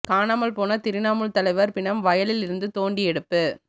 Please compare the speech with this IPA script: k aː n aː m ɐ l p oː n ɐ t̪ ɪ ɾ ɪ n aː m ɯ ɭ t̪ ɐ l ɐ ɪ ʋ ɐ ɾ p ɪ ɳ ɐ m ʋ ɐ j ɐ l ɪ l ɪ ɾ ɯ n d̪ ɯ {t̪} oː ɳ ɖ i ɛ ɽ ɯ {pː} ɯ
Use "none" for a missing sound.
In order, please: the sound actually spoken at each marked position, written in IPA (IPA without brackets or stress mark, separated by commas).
t̪, pː